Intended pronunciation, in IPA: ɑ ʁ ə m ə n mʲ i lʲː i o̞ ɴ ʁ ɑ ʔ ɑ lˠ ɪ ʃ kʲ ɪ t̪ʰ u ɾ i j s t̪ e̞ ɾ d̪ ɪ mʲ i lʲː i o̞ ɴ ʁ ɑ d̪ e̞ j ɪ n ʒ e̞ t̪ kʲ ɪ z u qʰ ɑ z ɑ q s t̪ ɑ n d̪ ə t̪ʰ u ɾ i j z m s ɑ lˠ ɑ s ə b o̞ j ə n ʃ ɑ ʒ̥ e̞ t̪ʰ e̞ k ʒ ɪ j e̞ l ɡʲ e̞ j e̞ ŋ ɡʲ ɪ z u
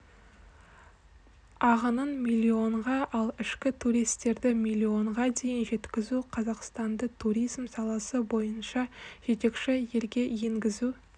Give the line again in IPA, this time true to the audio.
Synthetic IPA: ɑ ʁ ə n ə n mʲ i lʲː i o̞ ɴ ʁ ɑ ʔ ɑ lˠ ɪ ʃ kʲ ɪ t̪ʰ u ɾ i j s t̪ e̞ ɾ d̪ ɪ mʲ i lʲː i o̞ ɴ ʁ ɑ d̪ e̞ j ɪ n ʒ e̞ t̪ kʲ ɪ z u qʰ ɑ z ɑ q s t̪ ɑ n d̪ ə t̪ʰ u ɾ i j z m s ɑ lˠ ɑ s ə b o̞ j ə n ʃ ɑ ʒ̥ e̞ t̪ e̞ k ʃ ɪ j e̞ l ɡʲ e̞ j e̞ ŋ ɡʲ ɪ z u

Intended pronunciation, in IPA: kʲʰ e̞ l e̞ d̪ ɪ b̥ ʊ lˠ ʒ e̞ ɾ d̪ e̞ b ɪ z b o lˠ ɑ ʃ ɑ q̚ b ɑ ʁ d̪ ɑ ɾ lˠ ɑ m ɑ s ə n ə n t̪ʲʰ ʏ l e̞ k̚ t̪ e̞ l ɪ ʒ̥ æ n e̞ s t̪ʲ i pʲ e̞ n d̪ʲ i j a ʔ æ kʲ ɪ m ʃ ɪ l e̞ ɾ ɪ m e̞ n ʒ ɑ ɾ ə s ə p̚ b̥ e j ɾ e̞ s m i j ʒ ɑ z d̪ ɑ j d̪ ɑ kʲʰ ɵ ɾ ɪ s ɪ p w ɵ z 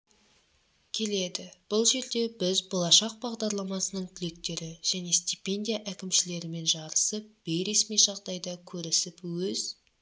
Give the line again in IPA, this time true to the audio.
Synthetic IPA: kʲʰ e̞ l e̞ d̪ ɪ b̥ ʊ lˠ ʒ e̞ ɾ d̪ e̞ b ɪ z b o lˠ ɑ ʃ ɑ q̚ b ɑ ʁ d̪ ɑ ɾ lˠ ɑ m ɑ s ə n ə ɴ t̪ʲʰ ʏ l e̞ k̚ t̪ e̞ ɾ ɪ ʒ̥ æ n e̞ s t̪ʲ i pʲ e̞ n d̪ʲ i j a ʔ æ kʲ ɪ m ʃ ɪ l e̞ ɾ ɪ m e̞ n ʒ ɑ ɾ ə s ə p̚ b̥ e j ɾ e̞ s m i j ʒ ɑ ʁ d̪ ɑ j d̪ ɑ kʲʰ ɵ ɾ ɪ s ɪ p w ɵ z

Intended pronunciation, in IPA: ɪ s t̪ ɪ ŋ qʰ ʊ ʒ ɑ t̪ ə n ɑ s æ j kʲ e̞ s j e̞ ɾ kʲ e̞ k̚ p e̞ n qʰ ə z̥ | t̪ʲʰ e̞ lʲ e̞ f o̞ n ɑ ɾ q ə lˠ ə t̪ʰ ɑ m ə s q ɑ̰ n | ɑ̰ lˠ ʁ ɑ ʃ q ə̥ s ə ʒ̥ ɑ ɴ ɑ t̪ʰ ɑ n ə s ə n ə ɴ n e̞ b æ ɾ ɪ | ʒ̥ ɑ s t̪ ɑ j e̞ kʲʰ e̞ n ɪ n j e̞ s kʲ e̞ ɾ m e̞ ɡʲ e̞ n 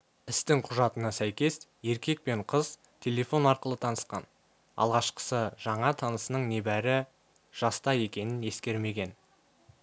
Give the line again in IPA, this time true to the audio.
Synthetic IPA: ɪ s t̪ ɪ ŋ qʰ ʊ ʒ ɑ t̪ ə n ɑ s æ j kʲ e̞ s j e̞ ɾ kʲ e̞ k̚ p e̞ ɴ qʰ ə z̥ | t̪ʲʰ e̞ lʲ e̞ f o̞ n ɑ ɾ q ə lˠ ə t̪ʰ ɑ n ə s q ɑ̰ n | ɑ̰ lˠ ʁ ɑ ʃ q ə̥ s ə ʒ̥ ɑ ɴ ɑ t̪ʰ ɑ n ə s ə n ə ɴ n e̞ b æ ɾ ɪ | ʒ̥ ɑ s t̪ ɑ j e̞ kʲ e̞ n ɪ n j e̞ s kʲ e̞ ɾ m e̞ ɡʲ e̞ n

